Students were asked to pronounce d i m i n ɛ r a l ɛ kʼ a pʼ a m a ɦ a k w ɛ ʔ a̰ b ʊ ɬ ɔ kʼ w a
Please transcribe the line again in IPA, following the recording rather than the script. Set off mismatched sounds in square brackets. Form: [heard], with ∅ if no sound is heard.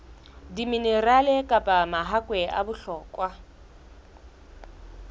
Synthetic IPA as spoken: d i m i n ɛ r a l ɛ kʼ a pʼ a m a ɦ a k w ɛ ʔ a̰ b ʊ ɬ [ɔː] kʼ w a